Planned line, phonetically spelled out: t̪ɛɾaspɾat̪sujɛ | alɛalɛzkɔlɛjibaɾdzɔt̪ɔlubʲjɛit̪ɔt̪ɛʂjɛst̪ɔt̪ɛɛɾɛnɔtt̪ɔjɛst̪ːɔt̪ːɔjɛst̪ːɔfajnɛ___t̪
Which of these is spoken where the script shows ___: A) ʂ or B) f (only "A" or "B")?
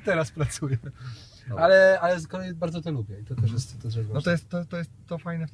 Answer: B